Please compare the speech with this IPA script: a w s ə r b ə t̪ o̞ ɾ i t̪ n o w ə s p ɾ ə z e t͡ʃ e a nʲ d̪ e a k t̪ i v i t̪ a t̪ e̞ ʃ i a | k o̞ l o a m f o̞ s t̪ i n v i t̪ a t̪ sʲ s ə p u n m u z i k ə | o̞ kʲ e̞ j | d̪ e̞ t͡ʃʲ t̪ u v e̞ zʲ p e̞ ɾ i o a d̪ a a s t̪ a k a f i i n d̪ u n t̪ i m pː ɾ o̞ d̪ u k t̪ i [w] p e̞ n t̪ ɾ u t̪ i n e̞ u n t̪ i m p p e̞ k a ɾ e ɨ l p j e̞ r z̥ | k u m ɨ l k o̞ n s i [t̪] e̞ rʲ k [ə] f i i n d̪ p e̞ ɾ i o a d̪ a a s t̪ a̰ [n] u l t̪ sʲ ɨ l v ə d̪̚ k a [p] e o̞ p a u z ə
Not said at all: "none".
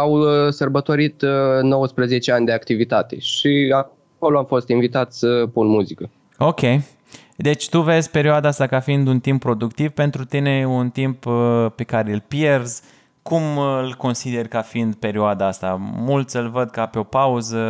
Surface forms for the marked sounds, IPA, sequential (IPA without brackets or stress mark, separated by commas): v, d̪, a, m, p